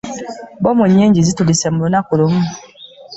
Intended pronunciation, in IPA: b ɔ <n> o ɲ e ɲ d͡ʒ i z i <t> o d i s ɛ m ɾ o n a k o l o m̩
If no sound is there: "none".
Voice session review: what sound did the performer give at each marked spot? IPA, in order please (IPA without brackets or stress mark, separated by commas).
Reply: m, t